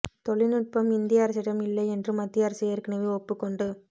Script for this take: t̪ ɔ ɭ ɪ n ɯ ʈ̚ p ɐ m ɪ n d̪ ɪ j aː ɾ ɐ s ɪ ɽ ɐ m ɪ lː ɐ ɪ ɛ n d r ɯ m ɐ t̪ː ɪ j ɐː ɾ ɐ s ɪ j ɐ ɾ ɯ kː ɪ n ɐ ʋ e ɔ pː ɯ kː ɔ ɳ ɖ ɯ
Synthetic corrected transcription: t̪ ɔ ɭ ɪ n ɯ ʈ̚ p ɐ m ɪ n d̪ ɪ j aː ɾ ɐ s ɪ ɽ ɐ m ɪ lː ɐ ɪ ɛ n d r ɯ m ɐ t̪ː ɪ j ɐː ɾ ɐ s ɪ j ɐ ɾ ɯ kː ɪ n ɐ ʋ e ɔ pː ɯ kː ɔ ɳ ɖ ɯ